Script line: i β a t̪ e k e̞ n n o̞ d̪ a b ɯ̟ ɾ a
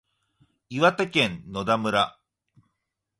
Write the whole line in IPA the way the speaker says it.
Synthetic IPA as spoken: i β a t̪ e k ẽ̞ n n o̞ d̪ a m ɯ̟ ɾ a